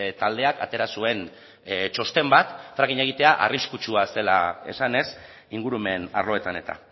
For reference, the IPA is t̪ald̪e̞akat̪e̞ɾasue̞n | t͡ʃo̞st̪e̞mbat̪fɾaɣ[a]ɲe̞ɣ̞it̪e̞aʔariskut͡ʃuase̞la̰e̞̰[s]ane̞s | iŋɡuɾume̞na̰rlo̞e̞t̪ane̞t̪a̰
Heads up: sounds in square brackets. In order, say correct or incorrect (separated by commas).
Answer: incorrect, correct